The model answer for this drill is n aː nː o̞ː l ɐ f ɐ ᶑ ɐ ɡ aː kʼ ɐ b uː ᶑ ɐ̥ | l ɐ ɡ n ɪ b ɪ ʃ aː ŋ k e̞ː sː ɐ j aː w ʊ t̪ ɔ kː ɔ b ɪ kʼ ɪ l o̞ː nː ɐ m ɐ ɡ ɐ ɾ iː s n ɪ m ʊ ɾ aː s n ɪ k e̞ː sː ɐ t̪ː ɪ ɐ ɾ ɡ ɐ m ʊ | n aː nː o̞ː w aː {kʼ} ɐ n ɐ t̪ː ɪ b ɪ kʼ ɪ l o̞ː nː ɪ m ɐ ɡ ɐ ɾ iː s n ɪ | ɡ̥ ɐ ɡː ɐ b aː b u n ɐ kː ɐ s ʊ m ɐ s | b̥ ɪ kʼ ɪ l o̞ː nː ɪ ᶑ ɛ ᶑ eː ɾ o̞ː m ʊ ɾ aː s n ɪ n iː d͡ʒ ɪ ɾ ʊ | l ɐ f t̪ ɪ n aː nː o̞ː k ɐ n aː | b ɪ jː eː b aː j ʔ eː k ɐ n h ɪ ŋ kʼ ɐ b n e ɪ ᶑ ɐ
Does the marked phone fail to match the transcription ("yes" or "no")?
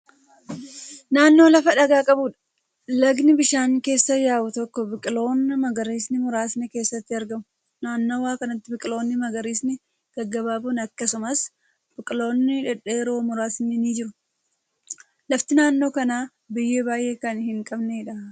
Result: yes